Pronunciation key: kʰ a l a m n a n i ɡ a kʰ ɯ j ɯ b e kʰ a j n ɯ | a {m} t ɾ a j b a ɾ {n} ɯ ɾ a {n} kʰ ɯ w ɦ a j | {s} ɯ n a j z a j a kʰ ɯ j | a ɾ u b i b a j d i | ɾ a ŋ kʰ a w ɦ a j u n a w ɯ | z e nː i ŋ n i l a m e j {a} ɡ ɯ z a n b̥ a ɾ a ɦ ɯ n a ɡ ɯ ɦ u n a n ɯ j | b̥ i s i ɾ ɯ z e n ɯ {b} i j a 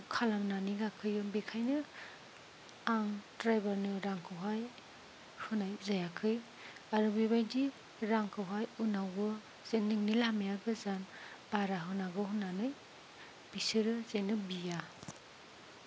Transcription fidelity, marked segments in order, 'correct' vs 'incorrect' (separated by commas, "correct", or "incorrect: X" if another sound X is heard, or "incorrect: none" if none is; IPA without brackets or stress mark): incorrect: ŋ, correct, incorrect: ŋ, incorrect: h, correct, correct